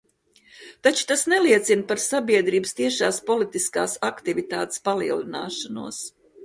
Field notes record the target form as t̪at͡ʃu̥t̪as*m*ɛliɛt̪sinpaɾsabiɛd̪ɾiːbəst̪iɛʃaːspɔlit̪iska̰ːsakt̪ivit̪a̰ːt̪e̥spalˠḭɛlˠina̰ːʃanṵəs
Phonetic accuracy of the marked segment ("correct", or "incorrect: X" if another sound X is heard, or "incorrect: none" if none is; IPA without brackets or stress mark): incorrect: n